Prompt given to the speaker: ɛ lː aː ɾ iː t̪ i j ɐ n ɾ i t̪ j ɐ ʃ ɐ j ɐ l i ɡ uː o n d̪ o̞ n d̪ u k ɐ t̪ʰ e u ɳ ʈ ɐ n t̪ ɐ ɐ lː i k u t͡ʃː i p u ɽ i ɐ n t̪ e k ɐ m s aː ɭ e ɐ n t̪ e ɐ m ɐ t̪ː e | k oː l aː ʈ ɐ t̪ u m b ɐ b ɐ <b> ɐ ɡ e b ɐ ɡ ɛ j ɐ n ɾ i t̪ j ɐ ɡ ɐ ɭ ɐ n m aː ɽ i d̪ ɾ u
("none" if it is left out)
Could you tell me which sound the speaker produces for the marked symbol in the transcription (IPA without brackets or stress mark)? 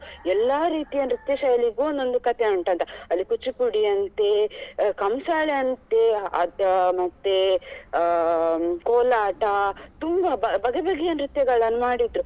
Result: b